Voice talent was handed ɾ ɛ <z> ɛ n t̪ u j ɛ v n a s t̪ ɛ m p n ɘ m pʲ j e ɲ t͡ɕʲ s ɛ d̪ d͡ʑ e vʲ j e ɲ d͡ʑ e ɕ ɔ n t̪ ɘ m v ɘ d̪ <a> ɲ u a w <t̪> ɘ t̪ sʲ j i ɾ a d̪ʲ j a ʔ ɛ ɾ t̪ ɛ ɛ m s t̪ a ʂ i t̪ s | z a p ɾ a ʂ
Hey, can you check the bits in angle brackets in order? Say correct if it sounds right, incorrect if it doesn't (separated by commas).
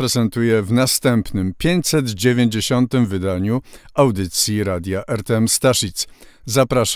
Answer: correct, correct, incorrect